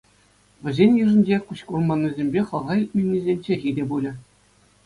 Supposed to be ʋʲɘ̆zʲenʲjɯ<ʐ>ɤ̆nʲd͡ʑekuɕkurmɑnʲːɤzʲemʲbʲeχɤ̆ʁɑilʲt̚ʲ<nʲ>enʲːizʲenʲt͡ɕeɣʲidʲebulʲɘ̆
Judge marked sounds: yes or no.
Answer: yes, no

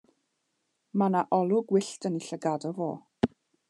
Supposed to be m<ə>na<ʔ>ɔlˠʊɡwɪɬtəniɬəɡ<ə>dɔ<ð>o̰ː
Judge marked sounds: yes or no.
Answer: no, yes, no, no

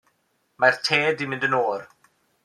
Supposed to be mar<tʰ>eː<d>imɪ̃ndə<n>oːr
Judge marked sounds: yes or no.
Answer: yes, yes, yes

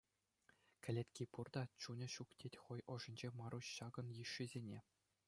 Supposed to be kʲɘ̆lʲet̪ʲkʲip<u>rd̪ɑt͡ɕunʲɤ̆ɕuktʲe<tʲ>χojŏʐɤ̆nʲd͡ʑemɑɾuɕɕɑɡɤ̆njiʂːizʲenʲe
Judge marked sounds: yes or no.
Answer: yes, yes

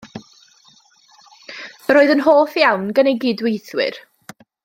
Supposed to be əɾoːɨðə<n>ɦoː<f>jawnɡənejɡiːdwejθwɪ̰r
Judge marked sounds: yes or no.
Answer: yes, no

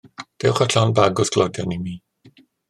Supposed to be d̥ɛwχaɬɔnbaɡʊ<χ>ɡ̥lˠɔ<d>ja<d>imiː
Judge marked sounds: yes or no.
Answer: no, yes, no

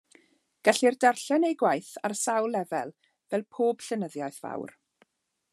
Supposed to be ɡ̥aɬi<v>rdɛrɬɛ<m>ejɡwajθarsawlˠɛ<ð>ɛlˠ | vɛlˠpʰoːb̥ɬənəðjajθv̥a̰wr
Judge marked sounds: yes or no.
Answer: no, no, no

